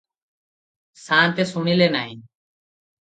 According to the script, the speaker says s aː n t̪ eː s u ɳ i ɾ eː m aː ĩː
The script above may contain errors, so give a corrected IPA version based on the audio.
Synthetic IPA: s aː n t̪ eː s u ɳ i l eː n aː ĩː